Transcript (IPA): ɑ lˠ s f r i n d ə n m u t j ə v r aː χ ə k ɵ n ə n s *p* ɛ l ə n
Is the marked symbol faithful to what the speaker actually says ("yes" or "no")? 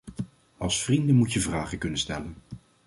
no